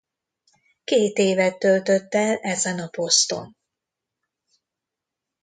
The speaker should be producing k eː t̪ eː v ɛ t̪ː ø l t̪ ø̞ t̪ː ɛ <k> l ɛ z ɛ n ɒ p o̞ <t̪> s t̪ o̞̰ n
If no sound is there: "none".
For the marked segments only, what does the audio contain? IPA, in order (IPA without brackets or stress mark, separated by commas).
none, none